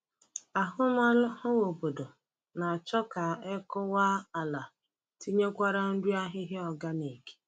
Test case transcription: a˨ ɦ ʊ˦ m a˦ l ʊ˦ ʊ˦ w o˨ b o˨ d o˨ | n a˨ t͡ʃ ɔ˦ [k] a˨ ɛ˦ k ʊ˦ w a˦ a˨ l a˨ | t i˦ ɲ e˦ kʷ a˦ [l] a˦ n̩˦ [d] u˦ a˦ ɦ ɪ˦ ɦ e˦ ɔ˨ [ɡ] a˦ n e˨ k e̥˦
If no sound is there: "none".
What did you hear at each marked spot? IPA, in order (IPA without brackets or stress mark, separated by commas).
k, ɾ, d, ɡ